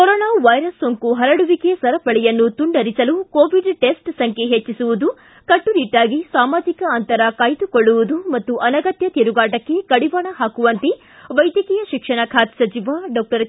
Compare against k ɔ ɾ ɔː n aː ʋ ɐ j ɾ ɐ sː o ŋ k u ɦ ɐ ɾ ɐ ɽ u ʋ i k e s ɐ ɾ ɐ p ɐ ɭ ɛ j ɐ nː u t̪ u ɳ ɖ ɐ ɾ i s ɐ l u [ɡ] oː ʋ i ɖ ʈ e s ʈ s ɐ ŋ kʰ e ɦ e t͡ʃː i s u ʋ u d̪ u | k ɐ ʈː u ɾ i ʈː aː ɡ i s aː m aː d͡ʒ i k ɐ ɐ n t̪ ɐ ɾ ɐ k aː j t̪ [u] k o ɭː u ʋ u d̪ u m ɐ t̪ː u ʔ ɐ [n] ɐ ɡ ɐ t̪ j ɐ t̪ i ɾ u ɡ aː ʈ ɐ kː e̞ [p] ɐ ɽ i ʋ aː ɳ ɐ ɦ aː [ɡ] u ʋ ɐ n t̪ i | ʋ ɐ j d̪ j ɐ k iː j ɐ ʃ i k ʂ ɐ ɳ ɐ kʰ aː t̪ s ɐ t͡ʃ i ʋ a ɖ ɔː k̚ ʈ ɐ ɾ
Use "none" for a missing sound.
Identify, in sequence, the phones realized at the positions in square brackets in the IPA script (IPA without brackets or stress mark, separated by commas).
k, u, n, k, k